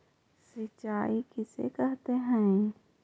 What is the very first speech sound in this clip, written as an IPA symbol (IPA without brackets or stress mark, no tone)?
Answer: s